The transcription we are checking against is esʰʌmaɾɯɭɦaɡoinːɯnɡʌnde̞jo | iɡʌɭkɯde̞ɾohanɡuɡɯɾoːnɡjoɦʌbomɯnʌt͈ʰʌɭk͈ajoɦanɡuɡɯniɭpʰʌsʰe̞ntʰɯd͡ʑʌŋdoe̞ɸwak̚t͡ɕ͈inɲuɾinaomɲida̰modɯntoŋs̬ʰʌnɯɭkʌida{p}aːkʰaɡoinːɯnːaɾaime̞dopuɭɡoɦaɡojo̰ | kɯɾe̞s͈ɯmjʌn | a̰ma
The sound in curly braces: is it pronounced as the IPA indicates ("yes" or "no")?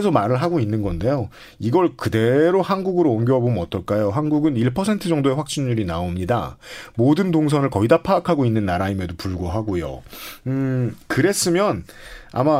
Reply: no